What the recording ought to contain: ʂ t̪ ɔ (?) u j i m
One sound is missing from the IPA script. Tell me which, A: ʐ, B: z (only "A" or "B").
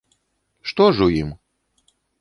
A